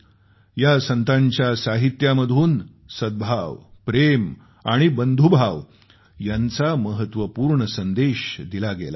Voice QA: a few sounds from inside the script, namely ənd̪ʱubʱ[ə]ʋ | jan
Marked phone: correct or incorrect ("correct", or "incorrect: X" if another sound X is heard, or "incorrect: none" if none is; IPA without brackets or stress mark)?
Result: incorrect: a